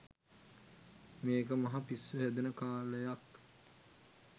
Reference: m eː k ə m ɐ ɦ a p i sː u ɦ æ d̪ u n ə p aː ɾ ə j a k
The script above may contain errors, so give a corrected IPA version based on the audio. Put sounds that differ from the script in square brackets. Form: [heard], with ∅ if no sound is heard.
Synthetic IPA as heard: m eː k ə m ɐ ɦ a p i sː u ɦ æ d̪ u n ə [k] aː [l] ə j a k